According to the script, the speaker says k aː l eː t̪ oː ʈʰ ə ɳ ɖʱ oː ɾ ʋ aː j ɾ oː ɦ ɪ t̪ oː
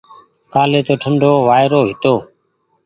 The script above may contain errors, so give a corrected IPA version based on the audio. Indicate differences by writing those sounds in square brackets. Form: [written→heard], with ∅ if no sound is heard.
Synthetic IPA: k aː l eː t̪ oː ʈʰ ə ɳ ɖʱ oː [ɾ→∅] ʋ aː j ɾ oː ɦ ɪ t̪ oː